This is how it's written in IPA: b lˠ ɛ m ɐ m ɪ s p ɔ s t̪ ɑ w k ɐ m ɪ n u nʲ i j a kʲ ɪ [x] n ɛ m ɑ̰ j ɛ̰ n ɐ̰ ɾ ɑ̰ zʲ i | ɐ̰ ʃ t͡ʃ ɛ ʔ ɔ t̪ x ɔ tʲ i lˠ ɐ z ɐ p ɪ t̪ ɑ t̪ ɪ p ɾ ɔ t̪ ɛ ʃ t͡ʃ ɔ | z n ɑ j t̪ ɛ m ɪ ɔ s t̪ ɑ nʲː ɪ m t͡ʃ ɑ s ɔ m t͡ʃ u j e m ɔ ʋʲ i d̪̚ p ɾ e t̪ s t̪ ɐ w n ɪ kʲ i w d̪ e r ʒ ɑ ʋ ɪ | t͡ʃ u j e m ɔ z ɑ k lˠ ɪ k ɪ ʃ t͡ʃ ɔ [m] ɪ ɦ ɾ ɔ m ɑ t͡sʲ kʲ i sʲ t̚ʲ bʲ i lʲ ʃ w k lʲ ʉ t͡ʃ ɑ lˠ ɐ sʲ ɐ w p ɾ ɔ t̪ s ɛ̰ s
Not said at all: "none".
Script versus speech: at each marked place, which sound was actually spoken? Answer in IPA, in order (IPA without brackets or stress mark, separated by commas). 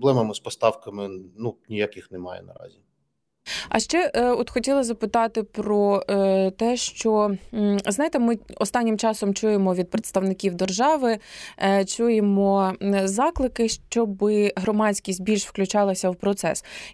x, b